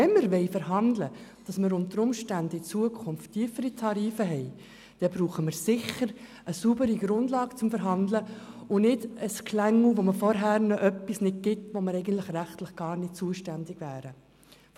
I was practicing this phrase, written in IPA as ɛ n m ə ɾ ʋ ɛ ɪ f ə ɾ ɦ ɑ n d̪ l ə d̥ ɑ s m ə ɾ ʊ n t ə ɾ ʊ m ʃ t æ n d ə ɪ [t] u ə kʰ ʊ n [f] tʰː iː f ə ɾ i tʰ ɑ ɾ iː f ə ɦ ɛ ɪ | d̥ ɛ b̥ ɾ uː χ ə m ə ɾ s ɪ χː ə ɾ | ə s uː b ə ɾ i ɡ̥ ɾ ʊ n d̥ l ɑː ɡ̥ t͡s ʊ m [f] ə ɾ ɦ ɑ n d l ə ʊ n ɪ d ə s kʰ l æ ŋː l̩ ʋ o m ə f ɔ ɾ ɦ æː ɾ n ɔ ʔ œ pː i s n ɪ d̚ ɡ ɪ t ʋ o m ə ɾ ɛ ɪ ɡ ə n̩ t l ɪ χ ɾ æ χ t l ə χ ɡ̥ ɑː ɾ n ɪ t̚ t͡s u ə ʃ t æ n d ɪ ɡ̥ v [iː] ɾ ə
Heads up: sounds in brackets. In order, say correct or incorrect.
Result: incorrect: t͡s, correct, correct, incorrect: æː

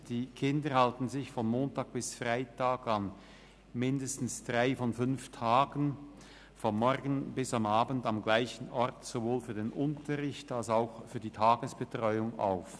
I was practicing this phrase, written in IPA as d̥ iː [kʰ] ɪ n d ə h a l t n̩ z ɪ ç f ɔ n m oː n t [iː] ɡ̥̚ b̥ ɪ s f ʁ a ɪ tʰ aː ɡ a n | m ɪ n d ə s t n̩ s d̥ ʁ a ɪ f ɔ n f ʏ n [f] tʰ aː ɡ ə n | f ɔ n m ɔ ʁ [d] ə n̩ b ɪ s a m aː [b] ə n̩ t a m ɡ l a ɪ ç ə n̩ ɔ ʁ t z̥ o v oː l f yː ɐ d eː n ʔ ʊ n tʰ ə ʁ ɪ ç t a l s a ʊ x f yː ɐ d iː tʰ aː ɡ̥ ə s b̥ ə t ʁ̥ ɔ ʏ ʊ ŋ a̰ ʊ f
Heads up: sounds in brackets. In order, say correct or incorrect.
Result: correct, incorrect: aː, correct, incorrect: ɡ, correct

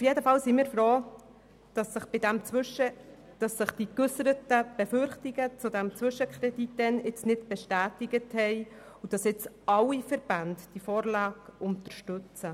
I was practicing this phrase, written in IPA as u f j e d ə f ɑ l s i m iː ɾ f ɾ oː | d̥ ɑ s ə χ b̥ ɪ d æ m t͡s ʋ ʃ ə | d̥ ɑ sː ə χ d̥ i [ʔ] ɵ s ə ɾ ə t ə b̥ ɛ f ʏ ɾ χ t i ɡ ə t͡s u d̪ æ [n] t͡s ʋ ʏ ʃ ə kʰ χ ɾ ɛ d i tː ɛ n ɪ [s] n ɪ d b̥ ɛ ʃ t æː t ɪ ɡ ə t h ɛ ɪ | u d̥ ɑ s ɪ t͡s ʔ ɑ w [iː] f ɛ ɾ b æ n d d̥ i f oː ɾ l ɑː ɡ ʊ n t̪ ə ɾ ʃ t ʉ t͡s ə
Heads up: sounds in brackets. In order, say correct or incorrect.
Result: incorrect: k, incorrect: m, incorrect: t͡s, incorrect: i

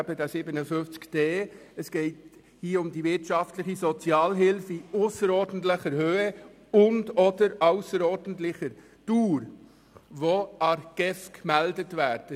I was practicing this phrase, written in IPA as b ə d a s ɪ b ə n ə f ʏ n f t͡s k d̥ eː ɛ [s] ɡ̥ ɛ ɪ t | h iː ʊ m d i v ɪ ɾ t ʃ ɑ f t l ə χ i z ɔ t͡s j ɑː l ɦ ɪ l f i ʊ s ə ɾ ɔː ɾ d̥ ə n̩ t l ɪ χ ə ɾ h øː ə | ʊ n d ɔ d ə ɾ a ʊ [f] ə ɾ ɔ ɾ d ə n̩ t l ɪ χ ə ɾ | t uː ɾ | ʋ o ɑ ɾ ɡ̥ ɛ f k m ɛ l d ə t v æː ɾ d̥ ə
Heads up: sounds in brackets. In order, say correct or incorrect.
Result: correct, incorrect: s

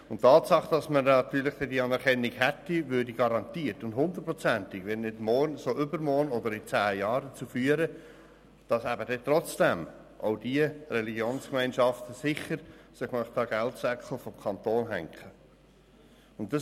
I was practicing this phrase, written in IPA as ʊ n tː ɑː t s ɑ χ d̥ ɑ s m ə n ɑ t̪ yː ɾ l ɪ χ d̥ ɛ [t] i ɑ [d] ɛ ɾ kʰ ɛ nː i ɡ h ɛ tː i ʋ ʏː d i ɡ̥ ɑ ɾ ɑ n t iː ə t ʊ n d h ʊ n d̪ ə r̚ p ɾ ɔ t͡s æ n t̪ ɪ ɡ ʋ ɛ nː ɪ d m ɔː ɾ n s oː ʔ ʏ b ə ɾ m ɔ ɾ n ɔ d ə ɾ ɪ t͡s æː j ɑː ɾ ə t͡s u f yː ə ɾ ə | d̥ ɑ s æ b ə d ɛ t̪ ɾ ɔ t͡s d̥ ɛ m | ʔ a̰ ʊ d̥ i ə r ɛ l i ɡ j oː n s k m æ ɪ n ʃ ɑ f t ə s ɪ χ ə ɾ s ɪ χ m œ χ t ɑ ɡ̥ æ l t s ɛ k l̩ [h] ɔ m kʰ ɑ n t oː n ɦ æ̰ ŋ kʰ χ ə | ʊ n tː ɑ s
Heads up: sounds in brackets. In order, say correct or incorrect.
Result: incorrect: d, incorrect: n, incorrect: f

